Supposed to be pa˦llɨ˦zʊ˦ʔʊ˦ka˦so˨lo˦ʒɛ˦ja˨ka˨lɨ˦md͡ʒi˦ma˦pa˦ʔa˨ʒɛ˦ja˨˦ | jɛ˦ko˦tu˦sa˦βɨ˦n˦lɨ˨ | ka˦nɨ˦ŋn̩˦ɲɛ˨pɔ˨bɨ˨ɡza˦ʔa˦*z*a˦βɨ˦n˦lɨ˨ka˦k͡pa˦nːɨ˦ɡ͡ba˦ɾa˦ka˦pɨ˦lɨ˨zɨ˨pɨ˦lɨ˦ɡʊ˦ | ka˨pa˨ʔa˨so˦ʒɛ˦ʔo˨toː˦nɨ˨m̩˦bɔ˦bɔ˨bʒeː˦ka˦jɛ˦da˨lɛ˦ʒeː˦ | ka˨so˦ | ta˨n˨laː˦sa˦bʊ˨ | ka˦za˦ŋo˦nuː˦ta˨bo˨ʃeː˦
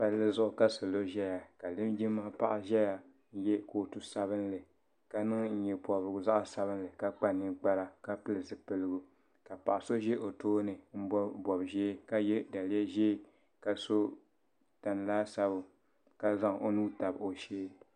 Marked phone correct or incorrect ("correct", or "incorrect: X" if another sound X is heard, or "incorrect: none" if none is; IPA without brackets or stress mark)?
incorrect: s